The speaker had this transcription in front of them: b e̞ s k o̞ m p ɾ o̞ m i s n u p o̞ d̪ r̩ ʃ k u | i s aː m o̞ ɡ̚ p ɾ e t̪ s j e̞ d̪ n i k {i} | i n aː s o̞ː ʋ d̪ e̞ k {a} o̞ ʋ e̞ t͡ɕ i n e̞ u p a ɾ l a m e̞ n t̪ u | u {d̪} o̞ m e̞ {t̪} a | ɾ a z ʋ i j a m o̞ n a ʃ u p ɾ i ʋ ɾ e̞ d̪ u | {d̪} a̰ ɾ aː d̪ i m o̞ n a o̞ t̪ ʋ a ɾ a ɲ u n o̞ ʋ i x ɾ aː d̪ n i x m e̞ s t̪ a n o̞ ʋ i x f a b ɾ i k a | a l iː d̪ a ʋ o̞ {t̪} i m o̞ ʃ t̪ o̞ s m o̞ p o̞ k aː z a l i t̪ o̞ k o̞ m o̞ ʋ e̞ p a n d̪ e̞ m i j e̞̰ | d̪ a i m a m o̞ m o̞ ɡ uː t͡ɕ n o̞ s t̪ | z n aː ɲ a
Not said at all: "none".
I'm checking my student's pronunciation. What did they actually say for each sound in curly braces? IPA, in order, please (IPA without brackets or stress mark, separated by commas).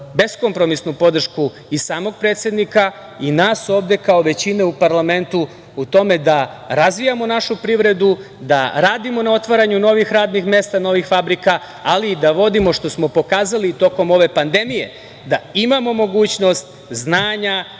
a, a, t̪, d̪, d̪, d̪